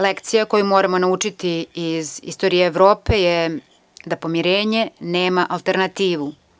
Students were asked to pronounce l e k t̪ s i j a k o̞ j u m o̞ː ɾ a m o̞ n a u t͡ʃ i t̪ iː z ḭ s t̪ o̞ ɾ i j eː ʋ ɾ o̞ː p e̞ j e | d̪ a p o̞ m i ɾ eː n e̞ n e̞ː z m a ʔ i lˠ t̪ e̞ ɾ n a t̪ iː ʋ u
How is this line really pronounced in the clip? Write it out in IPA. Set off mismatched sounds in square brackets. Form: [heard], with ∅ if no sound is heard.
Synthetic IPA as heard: l e k t̪ s i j a k o̞ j u m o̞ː ɾ a m o̞ n a u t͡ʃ i t̪ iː z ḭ s t̪ o̞ ɾ i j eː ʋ ɾ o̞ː p e̞ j e | d̪ a p o̞ m i ɾ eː [ɲ] e̞ n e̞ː [∅] m a ʔ [a] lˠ t̪ e̞ ɾ n a t̪ iː ʋ u